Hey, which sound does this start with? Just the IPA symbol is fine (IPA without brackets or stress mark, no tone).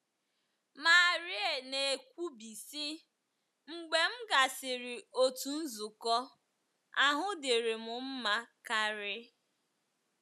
m